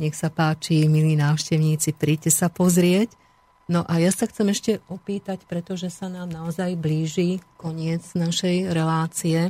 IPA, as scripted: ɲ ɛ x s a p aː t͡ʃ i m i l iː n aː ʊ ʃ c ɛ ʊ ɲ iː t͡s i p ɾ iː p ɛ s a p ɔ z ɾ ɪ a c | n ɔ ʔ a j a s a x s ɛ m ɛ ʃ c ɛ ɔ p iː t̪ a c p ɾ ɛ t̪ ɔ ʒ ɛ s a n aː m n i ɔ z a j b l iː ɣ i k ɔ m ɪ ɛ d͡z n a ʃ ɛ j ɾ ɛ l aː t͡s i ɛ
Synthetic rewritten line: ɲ ɛ x s a p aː t͡ʃ i m i l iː n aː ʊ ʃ c ɛ ʊ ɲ iː t͡s i p ɾ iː c ɛ s a p ɔ z ɾ ɪ ɛ c | n ɔ ʔ a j a s a x t͡s ɛ m ɛ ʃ c ɛ ɔ p iː t̪ a c p ɾ ɛ t̪ ɔ ʒ ɛ s a n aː m n a ɔ z a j b l iː ʒ i k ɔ ɲ ɪ ɛ d͡z n a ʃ ɛ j ɾ ɛ l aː t͡s i ɛ